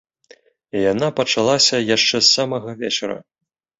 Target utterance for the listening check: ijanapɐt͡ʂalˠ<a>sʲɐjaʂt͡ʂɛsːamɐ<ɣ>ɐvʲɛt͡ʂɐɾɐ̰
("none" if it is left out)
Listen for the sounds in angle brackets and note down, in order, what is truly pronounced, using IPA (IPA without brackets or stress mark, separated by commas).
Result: a, ɣ